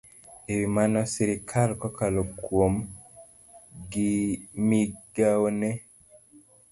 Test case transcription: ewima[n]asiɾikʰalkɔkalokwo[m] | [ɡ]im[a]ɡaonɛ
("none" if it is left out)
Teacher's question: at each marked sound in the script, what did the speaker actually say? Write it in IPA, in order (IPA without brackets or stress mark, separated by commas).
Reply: n, m, ɡ, i